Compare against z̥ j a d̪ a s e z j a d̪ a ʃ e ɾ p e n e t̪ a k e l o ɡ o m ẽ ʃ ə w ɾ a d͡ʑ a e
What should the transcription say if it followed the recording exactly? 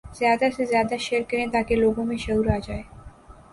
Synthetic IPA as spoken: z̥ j a d̪ a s e z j a d̪ a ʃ e ɾ k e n e t̪ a k e l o ɡ o m e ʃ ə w ɾ a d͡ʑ a e